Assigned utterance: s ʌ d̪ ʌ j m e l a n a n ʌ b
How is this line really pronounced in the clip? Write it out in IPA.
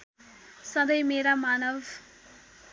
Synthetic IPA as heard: s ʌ d̪ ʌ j m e ɾ a m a n ʌ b